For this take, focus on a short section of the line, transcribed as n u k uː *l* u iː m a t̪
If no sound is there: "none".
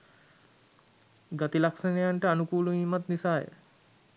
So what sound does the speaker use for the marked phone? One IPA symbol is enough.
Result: l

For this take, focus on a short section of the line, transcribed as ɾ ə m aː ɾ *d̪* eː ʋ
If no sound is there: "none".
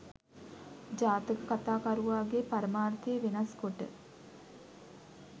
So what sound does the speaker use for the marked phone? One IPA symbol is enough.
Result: t̪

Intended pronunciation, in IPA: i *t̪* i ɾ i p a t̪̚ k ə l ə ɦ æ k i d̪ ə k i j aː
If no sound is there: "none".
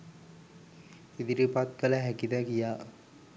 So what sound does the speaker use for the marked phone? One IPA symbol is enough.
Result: d̪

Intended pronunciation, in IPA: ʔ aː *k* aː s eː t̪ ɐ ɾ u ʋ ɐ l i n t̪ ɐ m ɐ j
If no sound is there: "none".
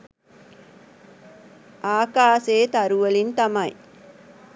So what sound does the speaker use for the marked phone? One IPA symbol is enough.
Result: k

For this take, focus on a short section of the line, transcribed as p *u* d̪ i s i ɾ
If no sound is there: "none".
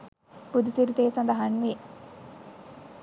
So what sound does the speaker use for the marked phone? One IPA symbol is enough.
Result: u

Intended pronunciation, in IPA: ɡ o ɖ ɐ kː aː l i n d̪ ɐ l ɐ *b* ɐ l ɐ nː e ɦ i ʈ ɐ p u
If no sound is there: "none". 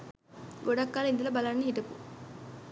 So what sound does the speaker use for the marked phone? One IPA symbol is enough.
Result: b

